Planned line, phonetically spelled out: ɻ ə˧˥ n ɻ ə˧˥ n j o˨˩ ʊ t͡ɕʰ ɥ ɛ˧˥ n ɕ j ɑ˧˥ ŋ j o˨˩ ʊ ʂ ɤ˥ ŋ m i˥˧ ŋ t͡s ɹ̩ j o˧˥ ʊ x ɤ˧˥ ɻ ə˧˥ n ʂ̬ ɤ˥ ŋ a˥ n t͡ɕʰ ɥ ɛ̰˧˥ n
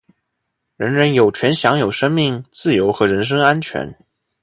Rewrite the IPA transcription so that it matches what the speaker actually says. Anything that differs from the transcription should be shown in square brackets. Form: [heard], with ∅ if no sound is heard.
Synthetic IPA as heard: ɻ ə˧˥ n ɻ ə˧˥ n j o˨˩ ʊ t͡ɕʰ ɥ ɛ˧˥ n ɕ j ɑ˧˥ ŋ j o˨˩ ʊ ʂ ɤ˥ ŋ m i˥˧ ŋ t͡s ɹ̩ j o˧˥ ʊ x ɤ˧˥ ɻ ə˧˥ n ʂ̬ ɤ˥ ŋ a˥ n t͡ɕʰ ɥ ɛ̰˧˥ n